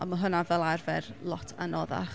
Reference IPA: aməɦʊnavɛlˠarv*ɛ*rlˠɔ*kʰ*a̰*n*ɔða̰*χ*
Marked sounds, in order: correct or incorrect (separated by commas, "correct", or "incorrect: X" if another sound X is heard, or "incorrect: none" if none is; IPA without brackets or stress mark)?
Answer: correct, incorrect: tʰ, correct, correct